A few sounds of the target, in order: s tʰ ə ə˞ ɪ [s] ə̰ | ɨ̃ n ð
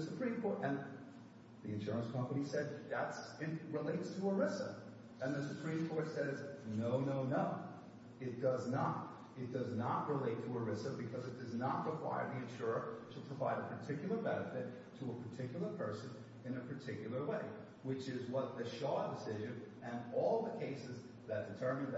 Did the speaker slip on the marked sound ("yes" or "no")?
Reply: no